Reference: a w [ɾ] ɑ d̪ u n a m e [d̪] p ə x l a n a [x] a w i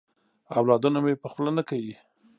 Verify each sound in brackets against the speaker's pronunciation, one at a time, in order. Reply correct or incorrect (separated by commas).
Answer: incorrect, incorrect, incorrect